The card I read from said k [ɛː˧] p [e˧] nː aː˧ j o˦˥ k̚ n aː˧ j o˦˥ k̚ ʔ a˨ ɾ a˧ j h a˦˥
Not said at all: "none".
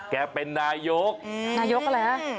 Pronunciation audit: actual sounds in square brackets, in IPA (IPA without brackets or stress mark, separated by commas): ɛː˧, e˧